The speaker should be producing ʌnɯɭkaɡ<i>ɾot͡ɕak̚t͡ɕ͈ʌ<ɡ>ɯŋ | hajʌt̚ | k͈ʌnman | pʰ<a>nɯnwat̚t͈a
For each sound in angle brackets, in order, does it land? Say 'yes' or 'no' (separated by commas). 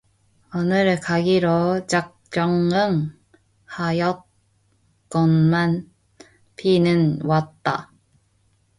yes, no, no